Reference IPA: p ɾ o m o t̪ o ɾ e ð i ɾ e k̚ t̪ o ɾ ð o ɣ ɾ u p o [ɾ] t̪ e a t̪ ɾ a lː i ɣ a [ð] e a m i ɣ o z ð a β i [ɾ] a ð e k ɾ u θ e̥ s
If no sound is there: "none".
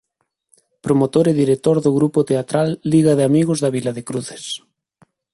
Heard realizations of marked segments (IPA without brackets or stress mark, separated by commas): none, ð, l